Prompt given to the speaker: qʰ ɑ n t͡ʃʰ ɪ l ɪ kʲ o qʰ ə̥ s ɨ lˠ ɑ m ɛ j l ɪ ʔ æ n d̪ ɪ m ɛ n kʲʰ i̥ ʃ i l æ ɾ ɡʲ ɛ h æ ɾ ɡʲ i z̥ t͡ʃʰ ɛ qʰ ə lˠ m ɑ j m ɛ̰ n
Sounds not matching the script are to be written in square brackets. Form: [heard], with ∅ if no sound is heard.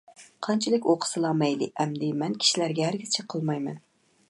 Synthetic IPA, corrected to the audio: qʰ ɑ n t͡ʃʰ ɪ l ɪ kʲ o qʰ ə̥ s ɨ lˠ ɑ m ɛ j l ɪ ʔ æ [m] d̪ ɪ m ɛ n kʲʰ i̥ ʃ i l æ ɾ ɡʲ ɛ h æ ɾ ɡʲ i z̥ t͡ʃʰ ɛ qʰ ə lˠ m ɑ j m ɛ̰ n